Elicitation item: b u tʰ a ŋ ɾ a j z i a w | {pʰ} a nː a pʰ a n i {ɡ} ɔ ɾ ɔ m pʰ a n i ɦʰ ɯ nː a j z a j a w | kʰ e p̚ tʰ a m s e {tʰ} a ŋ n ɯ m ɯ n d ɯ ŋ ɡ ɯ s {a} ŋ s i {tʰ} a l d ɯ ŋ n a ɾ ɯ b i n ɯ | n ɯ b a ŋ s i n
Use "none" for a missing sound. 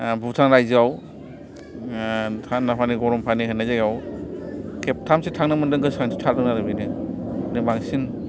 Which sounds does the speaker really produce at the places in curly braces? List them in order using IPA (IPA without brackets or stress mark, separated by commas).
tʰ, ɡ, tʰ, a, tʰ